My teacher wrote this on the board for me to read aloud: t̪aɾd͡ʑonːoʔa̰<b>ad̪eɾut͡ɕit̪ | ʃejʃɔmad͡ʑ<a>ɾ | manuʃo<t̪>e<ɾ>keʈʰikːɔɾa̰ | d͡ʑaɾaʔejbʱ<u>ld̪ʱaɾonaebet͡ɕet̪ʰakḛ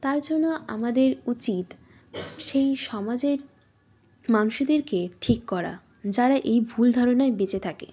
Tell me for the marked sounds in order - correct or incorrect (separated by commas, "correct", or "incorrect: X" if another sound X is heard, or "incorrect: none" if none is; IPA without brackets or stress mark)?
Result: incorrect: m, incorrect: e, incorrect: d̪, correct, correct